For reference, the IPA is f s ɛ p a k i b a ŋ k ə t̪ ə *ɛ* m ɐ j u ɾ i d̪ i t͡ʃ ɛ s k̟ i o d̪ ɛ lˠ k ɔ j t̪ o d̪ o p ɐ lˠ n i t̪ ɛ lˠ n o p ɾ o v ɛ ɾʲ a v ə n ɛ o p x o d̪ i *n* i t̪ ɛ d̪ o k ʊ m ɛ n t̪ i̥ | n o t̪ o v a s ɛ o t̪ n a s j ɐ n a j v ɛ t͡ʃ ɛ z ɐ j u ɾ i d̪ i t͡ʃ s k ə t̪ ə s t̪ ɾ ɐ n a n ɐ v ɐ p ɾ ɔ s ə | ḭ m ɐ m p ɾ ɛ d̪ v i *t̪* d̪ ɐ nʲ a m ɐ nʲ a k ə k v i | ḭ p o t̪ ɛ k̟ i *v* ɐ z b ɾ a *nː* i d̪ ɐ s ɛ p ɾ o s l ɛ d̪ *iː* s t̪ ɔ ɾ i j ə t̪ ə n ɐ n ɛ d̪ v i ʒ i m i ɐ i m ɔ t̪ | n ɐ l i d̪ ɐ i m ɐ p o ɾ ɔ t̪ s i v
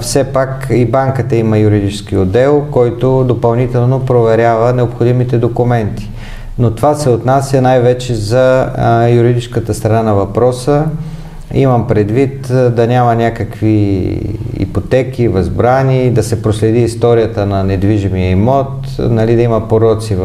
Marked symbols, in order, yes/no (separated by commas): no, no, yes, yes, no, yes